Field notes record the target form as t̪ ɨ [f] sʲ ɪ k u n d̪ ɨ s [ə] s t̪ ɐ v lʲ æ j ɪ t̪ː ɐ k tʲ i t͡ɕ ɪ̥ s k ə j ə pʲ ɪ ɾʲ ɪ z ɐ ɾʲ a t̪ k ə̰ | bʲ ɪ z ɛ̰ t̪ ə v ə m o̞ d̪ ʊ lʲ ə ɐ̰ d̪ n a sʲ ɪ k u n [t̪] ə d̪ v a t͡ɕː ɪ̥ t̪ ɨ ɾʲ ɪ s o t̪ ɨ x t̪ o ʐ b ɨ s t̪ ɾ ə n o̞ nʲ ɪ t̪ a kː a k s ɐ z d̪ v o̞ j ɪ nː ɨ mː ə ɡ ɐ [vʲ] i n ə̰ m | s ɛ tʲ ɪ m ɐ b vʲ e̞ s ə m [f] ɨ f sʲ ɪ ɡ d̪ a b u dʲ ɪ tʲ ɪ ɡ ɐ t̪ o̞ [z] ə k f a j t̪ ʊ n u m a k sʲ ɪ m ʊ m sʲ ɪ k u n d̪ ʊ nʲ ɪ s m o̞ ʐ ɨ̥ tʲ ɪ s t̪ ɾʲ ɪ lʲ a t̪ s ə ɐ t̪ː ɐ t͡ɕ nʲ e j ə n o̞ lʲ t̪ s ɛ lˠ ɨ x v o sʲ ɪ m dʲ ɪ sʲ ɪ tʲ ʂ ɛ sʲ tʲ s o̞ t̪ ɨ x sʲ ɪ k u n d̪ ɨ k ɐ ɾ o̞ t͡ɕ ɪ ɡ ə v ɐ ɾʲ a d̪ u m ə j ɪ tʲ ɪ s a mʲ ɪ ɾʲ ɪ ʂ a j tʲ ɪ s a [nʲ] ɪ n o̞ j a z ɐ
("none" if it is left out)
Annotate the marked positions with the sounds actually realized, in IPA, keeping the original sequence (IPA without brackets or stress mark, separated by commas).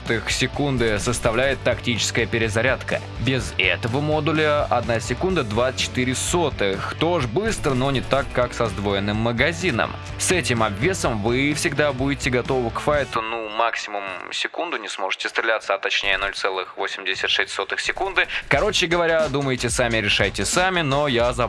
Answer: x, ə, d̪, zʲ, v, v, mʲ